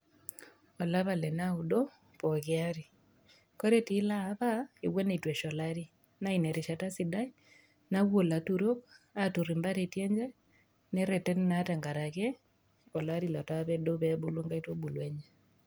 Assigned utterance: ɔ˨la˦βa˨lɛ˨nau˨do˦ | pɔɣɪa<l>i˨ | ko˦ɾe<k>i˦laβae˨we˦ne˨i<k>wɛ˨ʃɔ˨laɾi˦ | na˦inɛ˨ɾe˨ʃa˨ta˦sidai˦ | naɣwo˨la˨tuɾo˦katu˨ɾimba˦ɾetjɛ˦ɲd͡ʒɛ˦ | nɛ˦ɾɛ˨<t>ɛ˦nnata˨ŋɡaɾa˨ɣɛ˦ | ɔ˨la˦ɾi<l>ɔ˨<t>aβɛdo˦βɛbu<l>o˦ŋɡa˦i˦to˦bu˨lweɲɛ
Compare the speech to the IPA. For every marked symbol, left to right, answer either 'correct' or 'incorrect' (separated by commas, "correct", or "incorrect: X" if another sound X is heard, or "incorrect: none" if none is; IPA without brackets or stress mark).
incorrect: ɾ, incorrect: t, incorrect: t, correct, correct, correct, correct